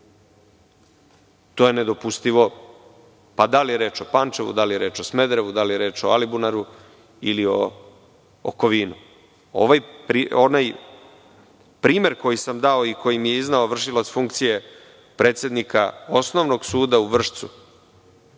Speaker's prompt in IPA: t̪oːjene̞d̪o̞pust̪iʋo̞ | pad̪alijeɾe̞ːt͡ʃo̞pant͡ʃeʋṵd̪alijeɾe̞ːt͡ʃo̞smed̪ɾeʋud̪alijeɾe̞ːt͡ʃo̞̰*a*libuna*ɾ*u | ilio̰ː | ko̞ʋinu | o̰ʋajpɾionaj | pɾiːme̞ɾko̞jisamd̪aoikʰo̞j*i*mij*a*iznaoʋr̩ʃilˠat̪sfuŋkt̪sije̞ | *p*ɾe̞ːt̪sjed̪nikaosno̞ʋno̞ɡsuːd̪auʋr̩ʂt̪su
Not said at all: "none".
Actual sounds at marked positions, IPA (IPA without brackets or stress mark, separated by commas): a, ɾ, i, e, p